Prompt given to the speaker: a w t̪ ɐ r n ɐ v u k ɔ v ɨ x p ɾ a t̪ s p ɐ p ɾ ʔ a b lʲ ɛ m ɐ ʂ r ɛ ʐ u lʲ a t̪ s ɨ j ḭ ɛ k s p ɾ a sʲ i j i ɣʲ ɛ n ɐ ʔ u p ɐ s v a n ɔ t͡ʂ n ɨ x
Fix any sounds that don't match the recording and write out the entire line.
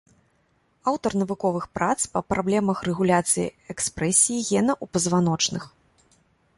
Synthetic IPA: a w t̪ ɐ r n ɐ v u k ɔ v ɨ x p ɾ a t̪ s p ɐ p ɾ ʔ a b lʲ ɛ m ɐ x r ɛ ɣ u lʲ a t̪ s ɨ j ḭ ɛ k s p ɾ ɛ sʲ i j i ɣʲ ɛ n ɐ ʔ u p ɐ z v a n ɔ t͡ʂ n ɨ x